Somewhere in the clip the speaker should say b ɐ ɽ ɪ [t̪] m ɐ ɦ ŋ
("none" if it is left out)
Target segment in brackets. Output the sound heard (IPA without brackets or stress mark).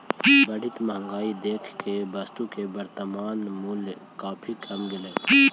t̪